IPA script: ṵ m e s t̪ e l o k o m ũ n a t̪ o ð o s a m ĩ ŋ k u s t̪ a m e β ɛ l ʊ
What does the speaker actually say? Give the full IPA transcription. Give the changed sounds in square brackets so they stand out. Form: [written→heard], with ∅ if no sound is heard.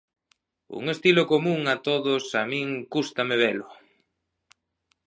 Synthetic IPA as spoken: ṵ [m→ŋ] e s t̪ [e→i] l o k o m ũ [n→ŋ] a t̪ o ð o s a m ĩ ŋ k u s t̪ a m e β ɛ l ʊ